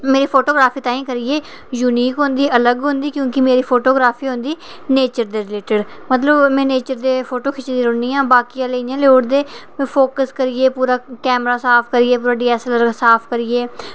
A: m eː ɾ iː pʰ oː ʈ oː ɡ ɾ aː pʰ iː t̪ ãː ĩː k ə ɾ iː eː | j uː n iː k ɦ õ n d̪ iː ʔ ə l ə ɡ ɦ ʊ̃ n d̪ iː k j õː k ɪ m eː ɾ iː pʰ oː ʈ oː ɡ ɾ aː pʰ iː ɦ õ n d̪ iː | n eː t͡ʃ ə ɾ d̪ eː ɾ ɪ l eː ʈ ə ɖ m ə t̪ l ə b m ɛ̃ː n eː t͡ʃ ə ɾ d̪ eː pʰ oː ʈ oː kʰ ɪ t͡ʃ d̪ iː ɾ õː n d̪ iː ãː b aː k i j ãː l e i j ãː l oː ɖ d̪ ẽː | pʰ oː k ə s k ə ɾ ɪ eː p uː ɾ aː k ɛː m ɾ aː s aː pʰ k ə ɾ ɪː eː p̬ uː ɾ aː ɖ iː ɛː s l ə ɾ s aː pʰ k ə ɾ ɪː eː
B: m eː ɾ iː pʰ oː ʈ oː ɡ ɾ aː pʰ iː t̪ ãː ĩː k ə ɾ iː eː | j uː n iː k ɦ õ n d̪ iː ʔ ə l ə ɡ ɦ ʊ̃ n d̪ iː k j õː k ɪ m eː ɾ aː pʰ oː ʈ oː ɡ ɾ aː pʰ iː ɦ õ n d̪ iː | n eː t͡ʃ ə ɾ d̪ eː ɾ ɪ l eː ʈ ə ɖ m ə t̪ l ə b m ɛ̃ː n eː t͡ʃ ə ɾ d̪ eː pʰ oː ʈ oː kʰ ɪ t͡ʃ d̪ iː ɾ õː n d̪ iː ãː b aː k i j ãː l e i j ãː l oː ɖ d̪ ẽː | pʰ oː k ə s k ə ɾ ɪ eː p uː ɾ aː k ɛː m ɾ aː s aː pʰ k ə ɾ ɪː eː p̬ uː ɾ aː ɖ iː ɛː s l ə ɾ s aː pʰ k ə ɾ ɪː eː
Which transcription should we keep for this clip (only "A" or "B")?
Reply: A